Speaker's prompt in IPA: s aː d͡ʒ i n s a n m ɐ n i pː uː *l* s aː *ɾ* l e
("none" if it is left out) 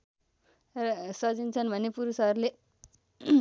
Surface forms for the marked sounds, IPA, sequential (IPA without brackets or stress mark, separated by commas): ɾ, ɾ